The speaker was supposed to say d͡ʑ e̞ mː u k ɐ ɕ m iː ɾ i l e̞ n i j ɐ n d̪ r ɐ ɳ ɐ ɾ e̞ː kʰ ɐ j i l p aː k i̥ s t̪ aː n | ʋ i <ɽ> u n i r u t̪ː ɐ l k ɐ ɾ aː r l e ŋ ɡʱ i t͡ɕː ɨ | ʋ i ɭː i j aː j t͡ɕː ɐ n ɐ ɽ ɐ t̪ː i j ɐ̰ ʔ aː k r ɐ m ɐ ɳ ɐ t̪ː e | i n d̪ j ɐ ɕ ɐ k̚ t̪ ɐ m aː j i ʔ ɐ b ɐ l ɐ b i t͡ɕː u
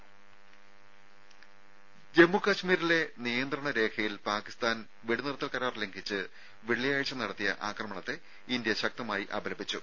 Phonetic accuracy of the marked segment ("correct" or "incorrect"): correct